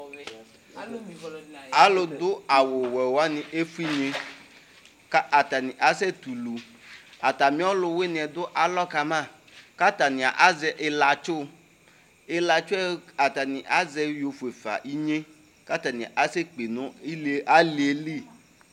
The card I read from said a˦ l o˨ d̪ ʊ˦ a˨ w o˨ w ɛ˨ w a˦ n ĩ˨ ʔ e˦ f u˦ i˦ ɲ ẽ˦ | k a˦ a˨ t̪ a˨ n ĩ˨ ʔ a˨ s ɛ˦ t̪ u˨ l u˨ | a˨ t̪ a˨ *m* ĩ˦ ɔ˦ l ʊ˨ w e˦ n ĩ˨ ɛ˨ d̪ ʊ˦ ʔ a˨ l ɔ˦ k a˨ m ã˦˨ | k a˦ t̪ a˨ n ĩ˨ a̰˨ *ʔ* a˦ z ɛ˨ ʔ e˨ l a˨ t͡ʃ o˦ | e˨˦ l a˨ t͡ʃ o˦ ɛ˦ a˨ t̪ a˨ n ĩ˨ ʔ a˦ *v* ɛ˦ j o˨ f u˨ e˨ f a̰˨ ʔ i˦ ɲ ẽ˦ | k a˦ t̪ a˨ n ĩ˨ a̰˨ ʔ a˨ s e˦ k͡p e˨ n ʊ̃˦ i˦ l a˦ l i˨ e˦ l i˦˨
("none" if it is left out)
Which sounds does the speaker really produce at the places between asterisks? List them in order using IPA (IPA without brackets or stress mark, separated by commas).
m, ʔ, z